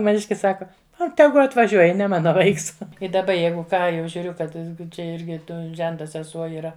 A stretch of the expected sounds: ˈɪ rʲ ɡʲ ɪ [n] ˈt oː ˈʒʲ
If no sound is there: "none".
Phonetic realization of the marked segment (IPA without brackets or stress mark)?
none